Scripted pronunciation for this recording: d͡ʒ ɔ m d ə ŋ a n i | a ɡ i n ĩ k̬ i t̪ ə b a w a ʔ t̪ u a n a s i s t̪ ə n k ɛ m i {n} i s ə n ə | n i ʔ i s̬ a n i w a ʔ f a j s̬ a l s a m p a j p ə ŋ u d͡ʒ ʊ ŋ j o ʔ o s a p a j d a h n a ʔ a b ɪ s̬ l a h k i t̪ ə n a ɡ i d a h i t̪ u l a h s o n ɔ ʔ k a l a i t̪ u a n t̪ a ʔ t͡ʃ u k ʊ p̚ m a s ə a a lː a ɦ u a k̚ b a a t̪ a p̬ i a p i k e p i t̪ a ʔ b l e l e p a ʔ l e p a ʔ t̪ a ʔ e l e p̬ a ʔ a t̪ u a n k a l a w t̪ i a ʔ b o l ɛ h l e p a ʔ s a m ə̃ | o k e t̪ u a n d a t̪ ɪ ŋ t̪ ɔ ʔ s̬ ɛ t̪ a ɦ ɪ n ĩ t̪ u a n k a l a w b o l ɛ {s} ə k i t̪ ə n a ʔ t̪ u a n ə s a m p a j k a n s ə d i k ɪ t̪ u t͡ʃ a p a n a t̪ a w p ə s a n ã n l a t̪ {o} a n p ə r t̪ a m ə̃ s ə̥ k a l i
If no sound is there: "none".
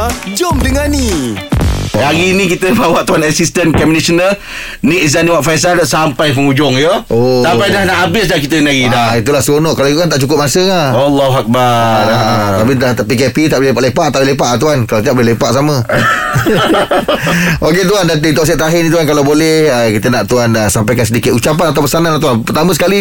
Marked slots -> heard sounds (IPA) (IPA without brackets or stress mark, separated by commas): n, h, u